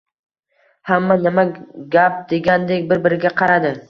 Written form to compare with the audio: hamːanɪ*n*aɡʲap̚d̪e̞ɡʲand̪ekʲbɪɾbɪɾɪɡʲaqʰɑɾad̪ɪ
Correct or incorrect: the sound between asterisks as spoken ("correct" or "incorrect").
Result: incorrect